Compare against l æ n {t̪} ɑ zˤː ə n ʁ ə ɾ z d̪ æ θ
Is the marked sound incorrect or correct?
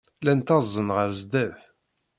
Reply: correct